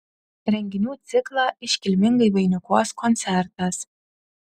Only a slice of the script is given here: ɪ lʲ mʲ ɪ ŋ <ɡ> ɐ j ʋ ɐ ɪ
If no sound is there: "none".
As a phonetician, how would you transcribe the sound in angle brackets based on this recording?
ɡ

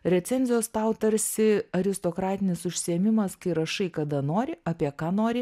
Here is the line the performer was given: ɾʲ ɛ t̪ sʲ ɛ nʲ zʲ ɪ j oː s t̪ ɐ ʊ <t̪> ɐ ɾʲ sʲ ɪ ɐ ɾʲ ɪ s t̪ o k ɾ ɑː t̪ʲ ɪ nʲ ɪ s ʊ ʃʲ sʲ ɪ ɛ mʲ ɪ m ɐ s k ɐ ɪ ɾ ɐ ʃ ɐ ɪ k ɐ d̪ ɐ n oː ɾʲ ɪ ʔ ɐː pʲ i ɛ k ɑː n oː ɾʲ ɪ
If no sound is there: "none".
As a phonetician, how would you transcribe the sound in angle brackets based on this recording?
t̪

